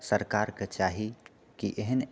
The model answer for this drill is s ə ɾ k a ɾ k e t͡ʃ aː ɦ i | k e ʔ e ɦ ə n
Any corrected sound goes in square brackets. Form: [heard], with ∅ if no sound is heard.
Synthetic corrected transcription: s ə ɾ k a ɾ k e t͡ʃ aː ɦ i | k [i] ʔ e ɦ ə n